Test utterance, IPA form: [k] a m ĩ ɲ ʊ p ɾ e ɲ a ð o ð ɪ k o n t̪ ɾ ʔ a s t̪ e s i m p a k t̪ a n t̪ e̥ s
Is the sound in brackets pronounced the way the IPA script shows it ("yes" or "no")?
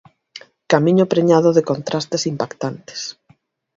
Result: yes